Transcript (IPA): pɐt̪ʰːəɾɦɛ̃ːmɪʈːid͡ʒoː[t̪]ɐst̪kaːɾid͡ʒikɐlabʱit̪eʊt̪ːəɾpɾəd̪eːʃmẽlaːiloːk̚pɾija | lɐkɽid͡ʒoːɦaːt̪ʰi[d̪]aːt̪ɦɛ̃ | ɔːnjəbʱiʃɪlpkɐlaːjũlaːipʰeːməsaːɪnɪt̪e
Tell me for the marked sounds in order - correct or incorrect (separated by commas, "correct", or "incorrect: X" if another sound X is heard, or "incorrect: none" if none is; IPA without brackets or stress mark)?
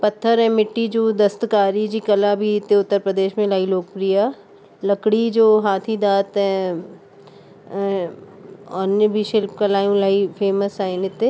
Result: incorrect: d̪, correct